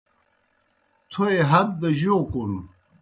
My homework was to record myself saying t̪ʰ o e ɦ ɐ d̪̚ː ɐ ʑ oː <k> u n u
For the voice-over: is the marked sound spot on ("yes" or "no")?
yes